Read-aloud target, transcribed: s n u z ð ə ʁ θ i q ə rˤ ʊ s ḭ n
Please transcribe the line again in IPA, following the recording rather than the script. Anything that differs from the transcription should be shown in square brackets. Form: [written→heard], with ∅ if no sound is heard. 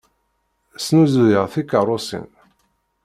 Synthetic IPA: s n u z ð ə ʁ θ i [q→k] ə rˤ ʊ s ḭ n